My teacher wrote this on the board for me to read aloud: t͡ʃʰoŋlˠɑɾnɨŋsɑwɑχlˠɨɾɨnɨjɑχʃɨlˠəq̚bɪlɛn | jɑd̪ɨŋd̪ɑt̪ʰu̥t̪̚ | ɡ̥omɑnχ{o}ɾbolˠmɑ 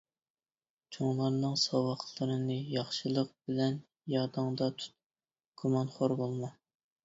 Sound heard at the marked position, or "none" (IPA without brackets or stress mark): o